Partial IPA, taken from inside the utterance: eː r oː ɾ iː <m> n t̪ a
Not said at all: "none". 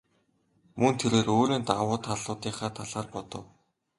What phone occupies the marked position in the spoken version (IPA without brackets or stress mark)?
none